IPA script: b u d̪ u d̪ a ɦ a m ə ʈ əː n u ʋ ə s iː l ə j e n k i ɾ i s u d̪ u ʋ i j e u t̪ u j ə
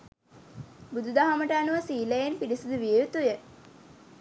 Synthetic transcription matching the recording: b u d̪ u d̪ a ɦ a m ə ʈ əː n u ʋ ə s iː l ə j e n p i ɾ i s u d̪ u ʋ i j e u t̪ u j ə